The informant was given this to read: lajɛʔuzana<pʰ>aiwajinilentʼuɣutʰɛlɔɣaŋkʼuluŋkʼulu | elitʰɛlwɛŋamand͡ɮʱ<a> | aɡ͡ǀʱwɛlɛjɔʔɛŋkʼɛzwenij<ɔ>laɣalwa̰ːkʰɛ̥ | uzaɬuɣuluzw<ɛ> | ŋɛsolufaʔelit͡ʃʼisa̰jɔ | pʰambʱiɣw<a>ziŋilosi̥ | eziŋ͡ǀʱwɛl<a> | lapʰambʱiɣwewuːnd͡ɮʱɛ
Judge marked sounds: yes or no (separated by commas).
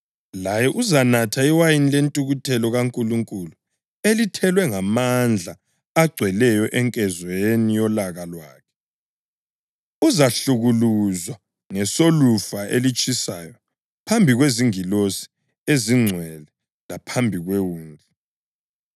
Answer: no, yes, yes, no, no, no